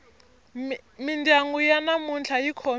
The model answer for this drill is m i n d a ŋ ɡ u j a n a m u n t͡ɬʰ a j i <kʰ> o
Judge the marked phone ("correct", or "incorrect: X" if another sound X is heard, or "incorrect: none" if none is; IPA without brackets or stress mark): correct